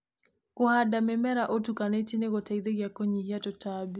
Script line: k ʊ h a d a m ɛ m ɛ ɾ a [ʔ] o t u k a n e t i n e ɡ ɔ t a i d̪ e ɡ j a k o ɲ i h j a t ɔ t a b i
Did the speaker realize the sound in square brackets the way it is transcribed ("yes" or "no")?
yes